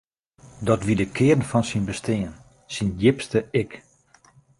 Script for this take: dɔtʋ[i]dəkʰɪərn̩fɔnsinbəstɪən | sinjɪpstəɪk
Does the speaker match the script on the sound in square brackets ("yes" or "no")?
yes